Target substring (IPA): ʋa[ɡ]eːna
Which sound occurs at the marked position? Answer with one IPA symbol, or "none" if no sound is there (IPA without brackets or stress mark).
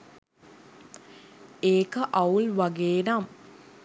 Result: ɡ